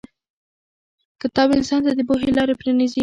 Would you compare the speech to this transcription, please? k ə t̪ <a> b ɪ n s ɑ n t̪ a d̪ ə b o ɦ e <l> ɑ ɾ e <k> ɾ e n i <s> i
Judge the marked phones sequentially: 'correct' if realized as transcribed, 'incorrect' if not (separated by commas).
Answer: incorrect, correct, incorrect, incorrect